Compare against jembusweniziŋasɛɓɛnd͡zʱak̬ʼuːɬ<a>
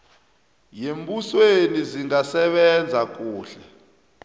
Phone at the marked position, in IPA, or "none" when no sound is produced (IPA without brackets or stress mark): ɛ